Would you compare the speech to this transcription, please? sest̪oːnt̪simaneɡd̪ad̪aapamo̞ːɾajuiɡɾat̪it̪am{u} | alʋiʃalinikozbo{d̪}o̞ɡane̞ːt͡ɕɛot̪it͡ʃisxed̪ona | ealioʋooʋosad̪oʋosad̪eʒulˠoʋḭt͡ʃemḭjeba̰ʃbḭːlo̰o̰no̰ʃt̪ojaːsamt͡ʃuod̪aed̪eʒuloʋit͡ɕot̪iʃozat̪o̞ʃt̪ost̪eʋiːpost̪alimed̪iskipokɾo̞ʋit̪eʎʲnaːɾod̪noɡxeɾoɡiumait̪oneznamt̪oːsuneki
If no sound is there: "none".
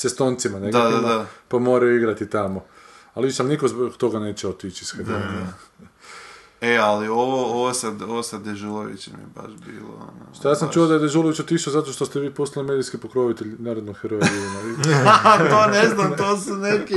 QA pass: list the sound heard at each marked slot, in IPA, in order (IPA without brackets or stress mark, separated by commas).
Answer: o, t̪